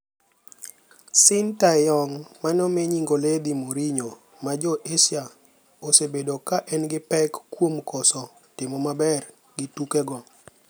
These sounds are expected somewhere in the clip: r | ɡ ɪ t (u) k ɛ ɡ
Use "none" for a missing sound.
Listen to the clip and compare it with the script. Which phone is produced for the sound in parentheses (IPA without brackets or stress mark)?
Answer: u